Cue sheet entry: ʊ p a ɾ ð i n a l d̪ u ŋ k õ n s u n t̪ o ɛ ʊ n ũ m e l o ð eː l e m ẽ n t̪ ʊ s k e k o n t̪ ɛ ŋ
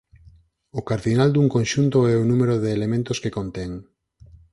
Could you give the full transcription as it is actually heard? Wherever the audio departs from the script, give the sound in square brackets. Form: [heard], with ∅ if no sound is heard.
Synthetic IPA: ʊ [k] a ɾ ð i n a l d̪ u ŋ k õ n [ʃ] u n t̪ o ɛ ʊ n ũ m e [ɾ] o ð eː l e m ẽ n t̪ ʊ s k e k o n t̪ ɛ ŋ